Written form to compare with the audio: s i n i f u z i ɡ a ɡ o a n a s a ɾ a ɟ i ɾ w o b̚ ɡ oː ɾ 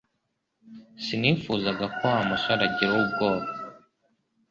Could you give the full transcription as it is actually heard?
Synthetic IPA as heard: s i n i f u z a ɡ a k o a m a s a ɾ a ɟ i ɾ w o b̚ ɡ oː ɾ